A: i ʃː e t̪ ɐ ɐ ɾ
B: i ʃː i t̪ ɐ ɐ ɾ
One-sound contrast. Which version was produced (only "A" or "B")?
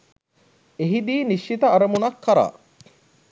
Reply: B